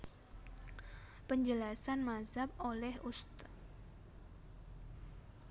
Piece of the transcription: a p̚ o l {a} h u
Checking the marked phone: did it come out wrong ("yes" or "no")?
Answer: yes